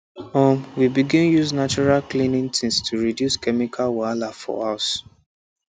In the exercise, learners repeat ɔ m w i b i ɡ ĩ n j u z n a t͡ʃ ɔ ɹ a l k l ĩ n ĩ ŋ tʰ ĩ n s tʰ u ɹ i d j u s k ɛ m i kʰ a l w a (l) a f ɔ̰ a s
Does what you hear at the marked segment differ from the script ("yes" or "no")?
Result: no